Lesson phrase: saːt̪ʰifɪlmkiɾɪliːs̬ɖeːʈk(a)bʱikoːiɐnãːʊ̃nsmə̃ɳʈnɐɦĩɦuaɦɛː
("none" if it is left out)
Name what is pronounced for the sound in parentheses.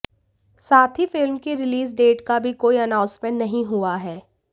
a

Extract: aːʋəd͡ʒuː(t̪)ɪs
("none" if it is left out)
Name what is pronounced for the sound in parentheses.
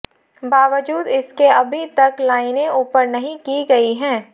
d̪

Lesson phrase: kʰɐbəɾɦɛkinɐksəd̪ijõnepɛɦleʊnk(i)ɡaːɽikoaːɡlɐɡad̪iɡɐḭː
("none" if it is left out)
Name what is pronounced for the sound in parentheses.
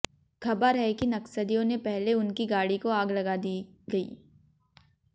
i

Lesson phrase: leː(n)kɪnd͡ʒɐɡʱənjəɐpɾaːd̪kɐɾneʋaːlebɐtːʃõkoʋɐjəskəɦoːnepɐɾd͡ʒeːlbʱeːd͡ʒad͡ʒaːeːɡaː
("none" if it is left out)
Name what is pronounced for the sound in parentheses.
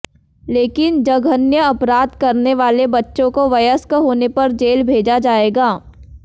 none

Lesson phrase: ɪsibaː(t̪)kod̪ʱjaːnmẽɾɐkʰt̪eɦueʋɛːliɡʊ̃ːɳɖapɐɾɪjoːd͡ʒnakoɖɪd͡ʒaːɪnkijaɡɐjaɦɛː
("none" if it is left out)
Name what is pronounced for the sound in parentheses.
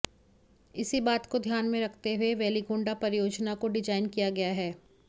t̪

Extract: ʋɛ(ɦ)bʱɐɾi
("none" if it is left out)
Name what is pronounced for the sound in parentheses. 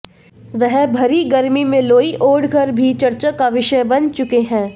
ɦ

